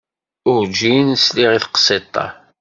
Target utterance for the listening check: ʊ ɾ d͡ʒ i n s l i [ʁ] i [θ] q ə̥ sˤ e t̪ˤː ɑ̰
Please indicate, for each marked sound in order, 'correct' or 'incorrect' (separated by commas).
correct, correct